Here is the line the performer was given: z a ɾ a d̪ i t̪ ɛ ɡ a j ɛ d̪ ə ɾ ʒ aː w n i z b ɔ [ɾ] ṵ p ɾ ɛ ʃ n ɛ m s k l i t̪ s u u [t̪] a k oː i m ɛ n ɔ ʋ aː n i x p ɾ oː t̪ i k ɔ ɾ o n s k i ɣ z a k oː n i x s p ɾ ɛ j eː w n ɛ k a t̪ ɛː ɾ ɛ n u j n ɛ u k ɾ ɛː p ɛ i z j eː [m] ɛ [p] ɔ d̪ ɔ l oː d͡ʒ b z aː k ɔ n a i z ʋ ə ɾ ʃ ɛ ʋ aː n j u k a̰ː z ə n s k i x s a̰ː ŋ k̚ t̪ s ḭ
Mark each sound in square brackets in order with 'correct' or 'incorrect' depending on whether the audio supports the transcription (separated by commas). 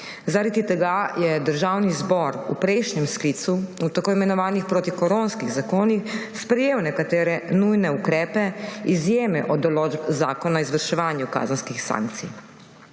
correct, correct, correct, incorrect